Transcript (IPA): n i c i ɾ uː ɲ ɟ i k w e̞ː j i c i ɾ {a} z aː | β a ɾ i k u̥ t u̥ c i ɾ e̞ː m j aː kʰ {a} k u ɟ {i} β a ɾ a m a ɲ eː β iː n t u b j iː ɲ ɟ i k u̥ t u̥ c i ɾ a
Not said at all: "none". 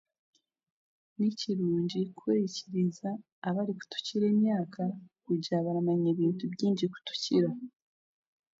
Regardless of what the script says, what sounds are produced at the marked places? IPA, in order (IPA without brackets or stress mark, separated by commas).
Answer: i, a, a